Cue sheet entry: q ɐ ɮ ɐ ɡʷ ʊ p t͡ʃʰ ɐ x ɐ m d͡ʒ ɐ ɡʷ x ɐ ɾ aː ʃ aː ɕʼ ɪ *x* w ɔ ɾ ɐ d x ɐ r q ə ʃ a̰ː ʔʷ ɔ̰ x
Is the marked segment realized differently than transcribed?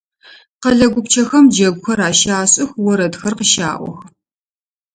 no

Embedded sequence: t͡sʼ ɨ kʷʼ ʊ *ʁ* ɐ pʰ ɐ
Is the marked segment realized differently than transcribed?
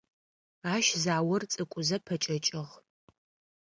yes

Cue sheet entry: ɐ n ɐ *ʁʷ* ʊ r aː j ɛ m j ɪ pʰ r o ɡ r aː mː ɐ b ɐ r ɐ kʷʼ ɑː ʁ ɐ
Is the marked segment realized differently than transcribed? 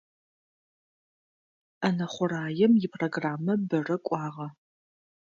yes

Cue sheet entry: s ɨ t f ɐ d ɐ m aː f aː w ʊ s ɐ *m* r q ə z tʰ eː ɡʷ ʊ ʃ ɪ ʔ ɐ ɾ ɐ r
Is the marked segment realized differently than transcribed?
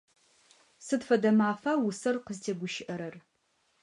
yes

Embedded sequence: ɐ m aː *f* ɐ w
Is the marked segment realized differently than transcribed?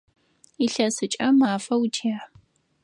no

